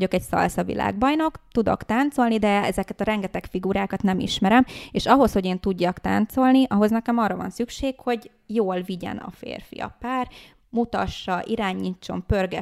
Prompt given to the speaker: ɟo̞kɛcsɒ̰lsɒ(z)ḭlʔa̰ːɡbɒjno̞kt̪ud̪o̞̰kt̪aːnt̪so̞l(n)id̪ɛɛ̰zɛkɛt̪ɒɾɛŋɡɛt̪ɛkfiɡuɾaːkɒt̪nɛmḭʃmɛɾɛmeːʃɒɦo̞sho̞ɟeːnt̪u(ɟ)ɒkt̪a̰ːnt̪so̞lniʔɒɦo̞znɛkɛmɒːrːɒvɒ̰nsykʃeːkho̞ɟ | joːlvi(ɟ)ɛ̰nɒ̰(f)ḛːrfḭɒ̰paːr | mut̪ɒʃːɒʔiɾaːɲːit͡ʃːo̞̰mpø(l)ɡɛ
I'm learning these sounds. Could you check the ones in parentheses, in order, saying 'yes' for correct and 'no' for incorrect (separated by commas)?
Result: no, yes, no, yes, yes, no